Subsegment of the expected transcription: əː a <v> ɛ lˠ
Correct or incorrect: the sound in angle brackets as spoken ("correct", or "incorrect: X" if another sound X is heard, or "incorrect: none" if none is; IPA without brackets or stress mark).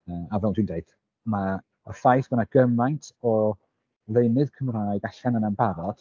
correct